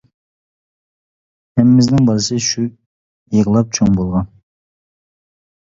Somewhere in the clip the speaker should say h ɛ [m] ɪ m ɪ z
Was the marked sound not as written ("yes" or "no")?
no